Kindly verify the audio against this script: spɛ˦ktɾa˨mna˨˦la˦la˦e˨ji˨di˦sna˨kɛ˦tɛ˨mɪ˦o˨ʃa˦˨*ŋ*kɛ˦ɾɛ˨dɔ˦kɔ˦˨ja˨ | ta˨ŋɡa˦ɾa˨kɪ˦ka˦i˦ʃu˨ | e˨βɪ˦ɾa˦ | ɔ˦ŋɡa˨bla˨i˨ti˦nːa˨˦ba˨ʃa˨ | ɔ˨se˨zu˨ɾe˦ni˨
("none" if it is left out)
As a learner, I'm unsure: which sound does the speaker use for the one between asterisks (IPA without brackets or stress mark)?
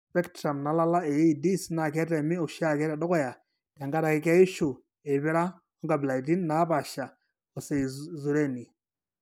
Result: none